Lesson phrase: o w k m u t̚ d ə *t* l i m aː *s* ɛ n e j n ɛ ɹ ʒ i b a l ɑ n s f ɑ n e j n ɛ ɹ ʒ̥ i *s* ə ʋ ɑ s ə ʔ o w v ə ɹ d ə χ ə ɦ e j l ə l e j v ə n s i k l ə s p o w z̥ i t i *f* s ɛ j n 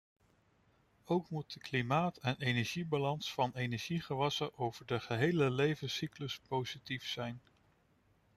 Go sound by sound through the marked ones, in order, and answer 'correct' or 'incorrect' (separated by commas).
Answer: incorrect, incorrect, incorrect, correct